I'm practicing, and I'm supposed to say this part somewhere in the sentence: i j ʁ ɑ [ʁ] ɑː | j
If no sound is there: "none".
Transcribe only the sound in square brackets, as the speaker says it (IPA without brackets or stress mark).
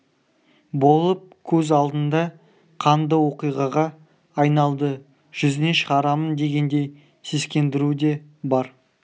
ʁ